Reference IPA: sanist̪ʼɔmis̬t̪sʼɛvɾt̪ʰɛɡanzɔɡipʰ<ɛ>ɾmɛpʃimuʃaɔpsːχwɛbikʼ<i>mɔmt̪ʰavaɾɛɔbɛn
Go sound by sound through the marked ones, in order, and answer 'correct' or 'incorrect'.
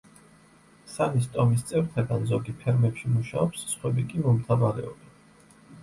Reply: correct, correct

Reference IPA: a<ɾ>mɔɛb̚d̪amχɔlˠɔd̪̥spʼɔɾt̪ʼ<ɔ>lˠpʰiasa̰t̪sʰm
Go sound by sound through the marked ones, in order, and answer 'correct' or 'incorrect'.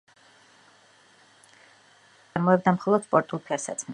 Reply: correct, incorrect

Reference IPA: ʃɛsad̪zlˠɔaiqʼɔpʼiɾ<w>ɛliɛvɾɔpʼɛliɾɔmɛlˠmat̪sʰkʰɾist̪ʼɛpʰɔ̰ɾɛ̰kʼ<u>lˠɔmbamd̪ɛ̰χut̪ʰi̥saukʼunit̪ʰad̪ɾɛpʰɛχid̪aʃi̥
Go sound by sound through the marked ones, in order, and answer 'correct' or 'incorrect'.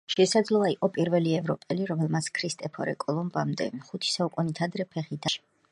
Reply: incorrect, incorrect

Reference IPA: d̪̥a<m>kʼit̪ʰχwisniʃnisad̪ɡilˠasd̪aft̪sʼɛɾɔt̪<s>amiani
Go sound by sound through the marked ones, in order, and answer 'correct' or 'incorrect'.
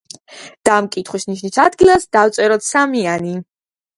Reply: correct, correct

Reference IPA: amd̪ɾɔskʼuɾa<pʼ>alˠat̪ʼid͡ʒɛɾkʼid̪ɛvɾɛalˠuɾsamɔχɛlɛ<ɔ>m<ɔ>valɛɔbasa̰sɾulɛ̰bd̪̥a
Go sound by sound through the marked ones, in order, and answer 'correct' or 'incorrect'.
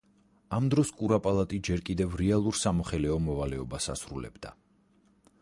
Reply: correct, correct, correct

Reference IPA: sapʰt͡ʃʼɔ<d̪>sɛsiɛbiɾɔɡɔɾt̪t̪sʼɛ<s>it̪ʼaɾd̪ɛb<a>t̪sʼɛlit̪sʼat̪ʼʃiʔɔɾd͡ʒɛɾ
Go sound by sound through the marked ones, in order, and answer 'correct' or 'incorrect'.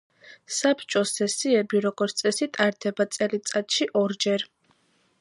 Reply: incorrect, correct, correct

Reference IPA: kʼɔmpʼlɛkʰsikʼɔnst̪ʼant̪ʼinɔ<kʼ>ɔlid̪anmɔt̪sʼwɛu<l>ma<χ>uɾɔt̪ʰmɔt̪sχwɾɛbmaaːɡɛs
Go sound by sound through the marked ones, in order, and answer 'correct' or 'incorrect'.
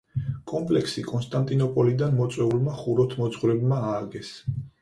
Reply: incorrect, correct, correct

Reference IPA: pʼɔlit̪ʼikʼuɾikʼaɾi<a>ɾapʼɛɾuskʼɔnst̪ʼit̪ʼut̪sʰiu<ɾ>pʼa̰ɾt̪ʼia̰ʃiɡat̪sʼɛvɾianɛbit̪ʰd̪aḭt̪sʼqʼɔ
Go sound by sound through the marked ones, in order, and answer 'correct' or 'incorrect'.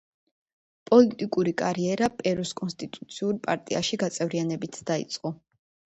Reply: incorrect, correct

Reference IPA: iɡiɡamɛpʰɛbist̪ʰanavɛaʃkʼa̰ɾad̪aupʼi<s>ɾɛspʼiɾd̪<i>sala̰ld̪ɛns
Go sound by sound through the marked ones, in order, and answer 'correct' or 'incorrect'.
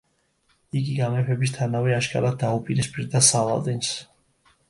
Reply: incorrect, incorrect

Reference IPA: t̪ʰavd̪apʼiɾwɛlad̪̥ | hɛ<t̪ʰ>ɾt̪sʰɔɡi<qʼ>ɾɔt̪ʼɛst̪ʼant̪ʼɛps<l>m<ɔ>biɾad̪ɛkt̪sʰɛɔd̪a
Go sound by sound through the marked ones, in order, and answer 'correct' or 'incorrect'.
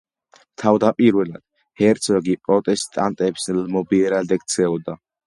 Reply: incorrect, incorrect, correct, correct

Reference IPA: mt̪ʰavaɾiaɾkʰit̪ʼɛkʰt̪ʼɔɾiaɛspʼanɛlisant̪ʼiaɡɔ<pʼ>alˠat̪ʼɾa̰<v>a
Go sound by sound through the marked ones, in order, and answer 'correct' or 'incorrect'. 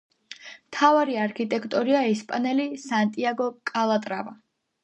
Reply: incorrect, correct

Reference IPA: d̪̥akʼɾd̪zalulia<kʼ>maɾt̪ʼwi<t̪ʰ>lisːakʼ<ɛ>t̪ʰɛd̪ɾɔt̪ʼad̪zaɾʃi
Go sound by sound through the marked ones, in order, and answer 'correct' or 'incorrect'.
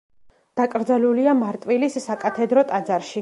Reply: incorrect, incorrect, incorrect

